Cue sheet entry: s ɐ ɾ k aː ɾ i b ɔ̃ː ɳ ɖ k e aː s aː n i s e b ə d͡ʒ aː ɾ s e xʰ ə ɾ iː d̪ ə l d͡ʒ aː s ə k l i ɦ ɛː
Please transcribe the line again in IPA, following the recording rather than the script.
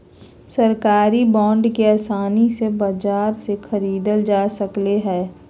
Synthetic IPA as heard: s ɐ ɾ k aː ɾ i b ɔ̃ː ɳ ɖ k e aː s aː n i s e b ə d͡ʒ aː ɾ s e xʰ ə ɾ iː d̪ ə l d͡ʒ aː s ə k l e ɦ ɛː